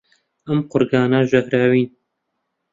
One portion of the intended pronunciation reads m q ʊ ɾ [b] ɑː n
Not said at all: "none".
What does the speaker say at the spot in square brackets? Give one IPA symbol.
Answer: ɡ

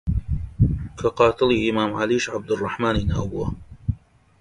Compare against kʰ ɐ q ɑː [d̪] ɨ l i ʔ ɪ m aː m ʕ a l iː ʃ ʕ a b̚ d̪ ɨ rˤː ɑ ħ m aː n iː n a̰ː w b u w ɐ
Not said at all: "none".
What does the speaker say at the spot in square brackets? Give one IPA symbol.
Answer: t̪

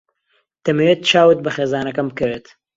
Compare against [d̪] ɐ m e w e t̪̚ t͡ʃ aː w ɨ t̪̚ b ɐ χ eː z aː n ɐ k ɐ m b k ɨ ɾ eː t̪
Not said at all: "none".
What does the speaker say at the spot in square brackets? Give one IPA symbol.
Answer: t̪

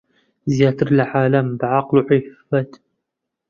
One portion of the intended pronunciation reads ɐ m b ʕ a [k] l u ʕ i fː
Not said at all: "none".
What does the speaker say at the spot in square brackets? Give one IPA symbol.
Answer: q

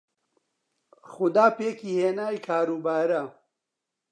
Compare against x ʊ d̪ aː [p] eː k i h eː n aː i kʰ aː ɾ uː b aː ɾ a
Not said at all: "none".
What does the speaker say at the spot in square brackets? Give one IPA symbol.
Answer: p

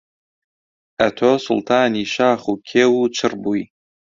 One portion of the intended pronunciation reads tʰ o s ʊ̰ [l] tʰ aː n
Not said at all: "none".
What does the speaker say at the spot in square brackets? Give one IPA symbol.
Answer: l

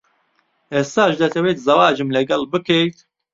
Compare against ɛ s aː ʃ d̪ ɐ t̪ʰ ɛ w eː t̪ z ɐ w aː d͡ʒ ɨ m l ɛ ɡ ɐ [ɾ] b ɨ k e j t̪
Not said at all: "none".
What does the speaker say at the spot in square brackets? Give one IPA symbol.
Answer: l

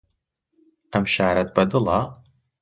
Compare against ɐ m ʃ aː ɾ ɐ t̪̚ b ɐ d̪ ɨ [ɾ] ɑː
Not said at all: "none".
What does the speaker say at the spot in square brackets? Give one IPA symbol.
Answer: l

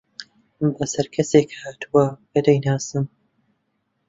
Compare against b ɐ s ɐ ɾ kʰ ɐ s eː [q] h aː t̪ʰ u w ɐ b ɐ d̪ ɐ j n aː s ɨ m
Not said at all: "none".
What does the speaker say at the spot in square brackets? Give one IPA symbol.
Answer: k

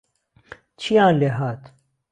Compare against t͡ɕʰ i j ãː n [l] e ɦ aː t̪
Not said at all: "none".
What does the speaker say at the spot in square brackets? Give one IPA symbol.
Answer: l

